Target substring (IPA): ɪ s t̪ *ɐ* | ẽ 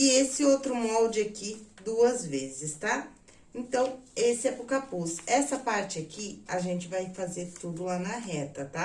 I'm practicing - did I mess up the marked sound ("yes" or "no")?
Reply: yes